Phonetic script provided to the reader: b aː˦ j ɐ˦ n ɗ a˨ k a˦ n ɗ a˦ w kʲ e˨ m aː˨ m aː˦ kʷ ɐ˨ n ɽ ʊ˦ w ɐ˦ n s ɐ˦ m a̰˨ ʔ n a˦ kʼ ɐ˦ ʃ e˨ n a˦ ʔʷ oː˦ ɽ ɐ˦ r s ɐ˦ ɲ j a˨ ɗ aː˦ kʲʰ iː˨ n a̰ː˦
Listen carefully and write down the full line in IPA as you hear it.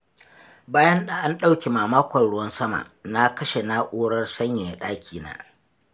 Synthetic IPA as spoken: b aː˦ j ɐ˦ n ɗ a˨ ʔ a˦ n ɗ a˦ w kʲ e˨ m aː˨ m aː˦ kʷ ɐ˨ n ɽ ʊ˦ w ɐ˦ n s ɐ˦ m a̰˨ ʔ n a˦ k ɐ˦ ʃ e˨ n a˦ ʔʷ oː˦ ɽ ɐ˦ r s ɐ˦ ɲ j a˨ ɗ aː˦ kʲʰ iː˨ n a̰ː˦